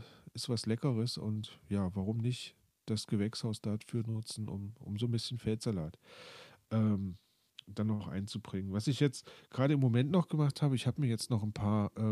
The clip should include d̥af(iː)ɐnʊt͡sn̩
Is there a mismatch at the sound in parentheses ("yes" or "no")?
yes